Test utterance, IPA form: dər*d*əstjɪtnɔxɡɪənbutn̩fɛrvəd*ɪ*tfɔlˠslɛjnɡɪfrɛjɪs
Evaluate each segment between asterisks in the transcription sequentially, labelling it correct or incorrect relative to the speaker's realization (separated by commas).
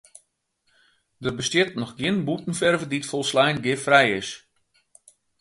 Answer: incorrect, incorrect